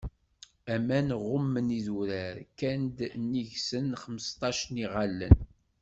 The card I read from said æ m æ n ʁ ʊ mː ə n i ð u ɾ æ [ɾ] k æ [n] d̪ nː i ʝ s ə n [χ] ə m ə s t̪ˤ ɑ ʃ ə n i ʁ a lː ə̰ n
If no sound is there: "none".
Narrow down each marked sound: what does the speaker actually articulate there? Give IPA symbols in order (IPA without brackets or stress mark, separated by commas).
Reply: ɾ, n, χ